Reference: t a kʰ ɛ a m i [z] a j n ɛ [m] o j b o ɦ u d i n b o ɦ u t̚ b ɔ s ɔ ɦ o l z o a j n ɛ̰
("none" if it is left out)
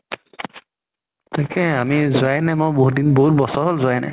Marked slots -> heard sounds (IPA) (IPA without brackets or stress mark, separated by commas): z, m